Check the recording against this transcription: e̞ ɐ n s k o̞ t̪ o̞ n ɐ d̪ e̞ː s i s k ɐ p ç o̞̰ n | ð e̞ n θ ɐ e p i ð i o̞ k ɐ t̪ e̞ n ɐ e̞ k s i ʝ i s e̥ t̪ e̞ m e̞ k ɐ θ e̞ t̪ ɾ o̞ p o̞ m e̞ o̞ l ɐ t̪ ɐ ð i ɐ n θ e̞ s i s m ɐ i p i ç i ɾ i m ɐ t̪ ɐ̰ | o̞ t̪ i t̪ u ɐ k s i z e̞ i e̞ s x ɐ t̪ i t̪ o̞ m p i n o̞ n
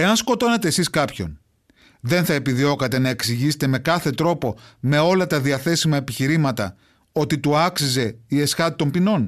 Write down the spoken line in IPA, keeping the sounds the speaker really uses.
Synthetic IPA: e̞ ɐ n s k o̞ t̪ o̞ n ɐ t̪ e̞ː s i s k ɐ p ç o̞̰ n | ð e̞ n θ ɐ e p i ð i o̞ k ɐ t̪ e̞ n ɐ e̞ k s i ʝ i s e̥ t̪ e̞ m e̞ k ɐ θ e̞ t̪ ɾ o̞ p o̞ m e̞ o̞ l ɐ t̪ ɐ ð i ɐ θ e̞ s i m ɐ e p i ç i ɾ i m ɐ t̪ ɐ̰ | o̞ t̪ i t̪ u ɐ k s i z e̞ i e̞ s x ɐ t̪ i t̪ o̞ m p i n o̞ n